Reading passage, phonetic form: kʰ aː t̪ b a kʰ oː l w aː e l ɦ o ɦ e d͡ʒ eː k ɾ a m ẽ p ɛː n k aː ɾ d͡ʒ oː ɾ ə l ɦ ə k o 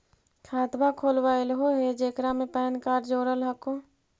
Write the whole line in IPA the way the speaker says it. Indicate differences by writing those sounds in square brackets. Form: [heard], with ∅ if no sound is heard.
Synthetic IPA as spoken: kʰ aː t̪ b a kʰ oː l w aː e l ɦ o ɦ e d͡ʒ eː k ɾ a m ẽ p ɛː n k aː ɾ d͡ʒ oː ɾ ə l ɦ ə k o